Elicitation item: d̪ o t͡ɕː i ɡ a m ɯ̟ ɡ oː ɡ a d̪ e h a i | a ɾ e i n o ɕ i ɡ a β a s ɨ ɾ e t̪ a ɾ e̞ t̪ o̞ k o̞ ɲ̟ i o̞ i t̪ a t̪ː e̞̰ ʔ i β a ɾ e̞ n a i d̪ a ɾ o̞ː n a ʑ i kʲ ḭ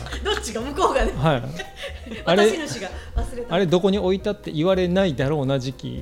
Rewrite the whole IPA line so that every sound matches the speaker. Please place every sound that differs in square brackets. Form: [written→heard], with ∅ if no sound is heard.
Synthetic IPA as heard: d̪ o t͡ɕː i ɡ a m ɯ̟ [ɡ→k] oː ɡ a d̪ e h a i | a ɾ e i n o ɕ i ɡ a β a s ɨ ɾ e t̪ a ɾ e̞ [t̪→d̪] o̞ k o̞ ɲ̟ i o̞ i t̪ a t̪ː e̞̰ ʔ i β a ɾ e̞ n a i d̪ a ɾ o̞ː n a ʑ i kʲ ḭ